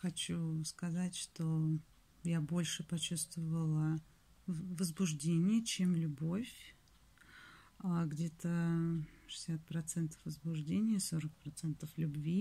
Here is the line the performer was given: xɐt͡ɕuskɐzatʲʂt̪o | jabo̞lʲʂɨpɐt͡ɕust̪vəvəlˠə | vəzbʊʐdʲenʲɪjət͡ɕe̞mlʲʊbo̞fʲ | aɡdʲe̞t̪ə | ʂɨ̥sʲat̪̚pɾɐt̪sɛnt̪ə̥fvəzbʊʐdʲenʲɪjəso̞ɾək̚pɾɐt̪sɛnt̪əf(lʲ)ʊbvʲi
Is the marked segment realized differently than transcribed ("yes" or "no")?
no